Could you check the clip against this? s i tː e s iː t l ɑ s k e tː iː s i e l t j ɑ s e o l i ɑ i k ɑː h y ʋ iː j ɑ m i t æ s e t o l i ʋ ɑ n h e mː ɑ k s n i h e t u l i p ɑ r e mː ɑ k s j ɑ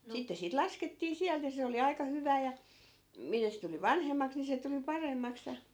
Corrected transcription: s i tː e s iː t l ɑ s k e tː iː s i æ l t j ɑ s e o l i ɑ i k ɑ h y ʋ æː j ɑ m i t æ s e t u l i ʋ ɑ n h e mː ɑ k s n i s e t u l i p ɑ r e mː ɑ k s j ɑ